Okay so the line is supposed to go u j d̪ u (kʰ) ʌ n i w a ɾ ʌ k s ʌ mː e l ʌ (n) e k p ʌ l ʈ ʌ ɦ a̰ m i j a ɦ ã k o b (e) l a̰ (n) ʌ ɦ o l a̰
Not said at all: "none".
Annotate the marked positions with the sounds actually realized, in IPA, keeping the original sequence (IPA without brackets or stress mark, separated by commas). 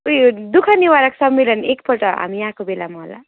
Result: kʰ, n, e, m